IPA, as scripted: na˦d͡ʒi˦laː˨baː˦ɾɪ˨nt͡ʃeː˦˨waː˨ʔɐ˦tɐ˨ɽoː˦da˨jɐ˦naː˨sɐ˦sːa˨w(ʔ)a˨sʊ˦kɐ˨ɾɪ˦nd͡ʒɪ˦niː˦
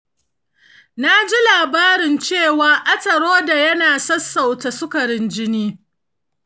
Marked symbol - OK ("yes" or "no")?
no